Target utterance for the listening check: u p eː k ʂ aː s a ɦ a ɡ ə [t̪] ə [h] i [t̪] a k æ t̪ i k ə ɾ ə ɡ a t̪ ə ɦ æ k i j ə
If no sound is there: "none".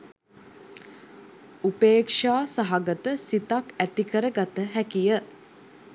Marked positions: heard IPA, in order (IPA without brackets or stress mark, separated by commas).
t̪, s, t̪